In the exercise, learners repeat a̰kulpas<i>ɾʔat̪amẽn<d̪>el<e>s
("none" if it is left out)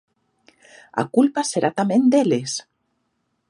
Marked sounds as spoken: e, d̪, e

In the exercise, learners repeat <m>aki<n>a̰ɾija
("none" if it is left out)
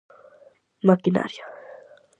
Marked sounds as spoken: m, n

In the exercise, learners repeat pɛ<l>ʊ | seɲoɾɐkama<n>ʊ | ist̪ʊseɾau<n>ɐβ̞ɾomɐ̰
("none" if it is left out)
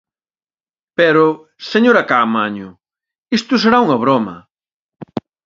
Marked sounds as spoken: ɾ, ɲ, ŋ

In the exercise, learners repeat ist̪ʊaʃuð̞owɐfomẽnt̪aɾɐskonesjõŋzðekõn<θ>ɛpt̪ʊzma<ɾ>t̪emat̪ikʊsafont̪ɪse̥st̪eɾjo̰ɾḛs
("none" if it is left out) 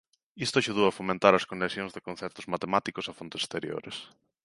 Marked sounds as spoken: θ, none

